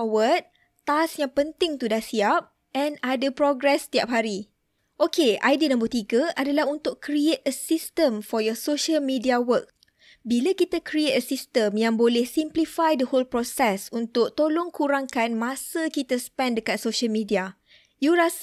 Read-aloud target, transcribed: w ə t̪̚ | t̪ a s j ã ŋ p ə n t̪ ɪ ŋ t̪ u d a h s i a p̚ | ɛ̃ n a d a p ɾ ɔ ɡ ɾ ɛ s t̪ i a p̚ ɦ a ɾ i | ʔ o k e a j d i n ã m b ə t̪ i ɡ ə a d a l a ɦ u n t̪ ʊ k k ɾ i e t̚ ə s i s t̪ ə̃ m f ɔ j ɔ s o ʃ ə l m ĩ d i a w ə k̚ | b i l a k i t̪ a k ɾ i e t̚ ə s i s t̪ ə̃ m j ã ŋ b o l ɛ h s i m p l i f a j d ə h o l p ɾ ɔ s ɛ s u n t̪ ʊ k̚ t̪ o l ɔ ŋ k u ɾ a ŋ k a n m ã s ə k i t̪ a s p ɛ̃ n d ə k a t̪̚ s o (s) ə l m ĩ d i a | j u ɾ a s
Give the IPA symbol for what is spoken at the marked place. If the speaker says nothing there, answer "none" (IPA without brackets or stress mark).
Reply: ʃ